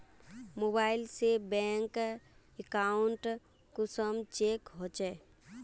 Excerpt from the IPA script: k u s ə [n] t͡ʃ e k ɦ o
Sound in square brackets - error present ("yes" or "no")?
yes